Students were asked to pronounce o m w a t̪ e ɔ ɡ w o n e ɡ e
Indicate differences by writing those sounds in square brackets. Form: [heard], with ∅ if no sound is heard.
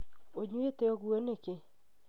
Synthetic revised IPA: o [ɲ] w [e] t̪ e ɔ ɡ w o n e [k] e